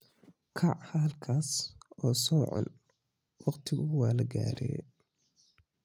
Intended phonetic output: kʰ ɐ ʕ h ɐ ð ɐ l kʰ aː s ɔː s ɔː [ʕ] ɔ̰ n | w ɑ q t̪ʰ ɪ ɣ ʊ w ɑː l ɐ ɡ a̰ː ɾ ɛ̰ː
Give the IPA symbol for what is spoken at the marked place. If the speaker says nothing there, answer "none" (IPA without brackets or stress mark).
ʕ